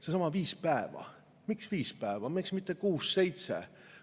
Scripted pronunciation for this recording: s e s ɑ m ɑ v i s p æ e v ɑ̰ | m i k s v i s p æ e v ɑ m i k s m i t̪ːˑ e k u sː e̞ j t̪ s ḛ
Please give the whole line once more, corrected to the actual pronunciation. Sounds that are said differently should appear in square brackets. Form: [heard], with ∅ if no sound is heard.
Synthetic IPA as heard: s e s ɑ m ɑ v [iː] s p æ e v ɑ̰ | m i k s v [iː] s p æ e v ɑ m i k s m i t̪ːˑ e k [uː] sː e̞ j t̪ s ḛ